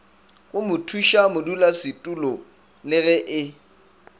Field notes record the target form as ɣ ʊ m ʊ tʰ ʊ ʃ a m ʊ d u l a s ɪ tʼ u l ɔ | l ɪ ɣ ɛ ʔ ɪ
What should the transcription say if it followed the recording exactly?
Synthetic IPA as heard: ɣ ʊ m ʊ tʰ u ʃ a m ʊ d u l a s ɪ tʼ u l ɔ | l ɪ ɣ ɛ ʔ ɪ

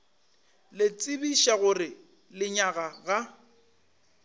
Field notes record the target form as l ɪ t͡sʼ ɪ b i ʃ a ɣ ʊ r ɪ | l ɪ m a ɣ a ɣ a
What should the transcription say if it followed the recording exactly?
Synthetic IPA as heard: l ɪ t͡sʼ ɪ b i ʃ a ɣ ʊ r ɪ | l ɪ ɲ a ɣ a ɣ a

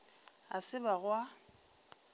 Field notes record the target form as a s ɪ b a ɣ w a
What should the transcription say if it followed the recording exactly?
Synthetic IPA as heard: a s ɪ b a ɣ w a

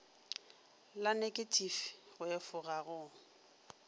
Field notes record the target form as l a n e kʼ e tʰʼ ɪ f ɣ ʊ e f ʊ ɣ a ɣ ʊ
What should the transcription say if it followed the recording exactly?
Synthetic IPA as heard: l a n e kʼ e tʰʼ i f ɣ ʊ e f ʊ ɣ a ɣ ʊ

